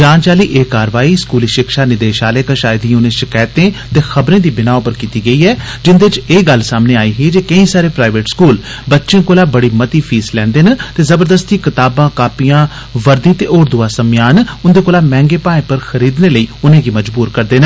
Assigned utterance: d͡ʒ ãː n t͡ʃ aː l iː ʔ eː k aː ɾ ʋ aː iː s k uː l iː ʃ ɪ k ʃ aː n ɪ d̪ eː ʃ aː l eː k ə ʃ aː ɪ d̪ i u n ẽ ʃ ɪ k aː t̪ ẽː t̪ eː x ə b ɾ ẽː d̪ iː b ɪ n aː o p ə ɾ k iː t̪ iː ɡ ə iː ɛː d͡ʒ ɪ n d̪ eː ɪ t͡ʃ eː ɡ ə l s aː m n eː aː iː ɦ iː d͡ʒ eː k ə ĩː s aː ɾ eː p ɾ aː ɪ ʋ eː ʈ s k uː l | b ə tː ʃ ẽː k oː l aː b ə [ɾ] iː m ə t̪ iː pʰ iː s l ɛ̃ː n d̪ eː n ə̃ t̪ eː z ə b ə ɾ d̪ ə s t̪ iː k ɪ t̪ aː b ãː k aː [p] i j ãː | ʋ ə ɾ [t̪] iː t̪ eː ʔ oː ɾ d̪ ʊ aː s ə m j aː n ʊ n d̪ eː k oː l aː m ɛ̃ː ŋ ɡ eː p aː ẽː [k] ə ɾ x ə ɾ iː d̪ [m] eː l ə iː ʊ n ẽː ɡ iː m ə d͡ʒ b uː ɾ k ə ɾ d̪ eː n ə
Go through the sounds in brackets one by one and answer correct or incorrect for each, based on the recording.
incorrect, correct, incorrect, incorrect, incorrect

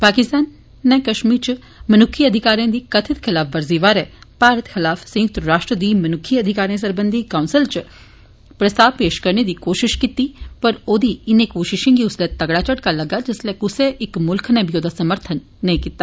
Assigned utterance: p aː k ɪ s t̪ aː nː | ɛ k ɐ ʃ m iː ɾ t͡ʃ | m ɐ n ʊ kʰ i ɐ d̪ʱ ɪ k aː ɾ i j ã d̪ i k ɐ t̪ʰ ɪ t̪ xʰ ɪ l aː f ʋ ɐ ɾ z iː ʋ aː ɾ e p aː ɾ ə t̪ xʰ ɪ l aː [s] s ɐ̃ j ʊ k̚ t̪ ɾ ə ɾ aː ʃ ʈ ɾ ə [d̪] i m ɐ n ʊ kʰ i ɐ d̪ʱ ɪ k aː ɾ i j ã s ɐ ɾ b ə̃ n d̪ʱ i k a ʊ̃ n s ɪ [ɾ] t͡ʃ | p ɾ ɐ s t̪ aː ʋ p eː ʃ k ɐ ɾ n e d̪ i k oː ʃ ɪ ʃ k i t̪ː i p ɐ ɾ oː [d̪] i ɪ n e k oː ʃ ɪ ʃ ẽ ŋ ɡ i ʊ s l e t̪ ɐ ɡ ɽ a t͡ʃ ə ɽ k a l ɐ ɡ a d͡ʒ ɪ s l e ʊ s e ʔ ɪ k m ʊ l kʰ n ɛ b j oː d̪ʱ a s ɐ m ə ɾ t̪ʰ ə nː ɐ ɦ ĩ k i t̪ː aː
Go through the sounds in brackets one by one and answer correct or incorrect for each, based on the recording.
incorrect, correct, incorrect, correct

